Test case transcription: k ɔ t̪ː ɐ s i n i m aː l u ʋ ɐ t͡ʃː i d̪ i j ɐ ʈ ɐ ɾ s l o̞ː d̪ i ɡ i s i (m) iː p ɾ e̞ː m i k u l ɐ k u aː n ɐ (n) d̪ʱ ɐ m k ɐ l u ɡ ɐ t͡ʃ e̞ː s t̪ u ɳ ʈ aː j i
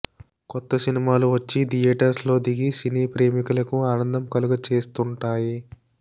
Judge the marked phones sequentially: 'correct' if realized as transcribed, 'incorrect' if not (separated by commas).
incorrect, correct